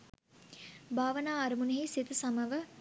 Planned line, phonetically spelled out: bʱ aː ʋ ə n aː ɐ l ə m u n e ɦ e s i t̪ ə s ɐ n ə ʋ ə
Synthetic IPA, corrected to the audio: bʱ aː ʋ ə n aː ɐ ɾ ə m u n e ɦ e s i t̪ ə s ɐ m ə ʋ ə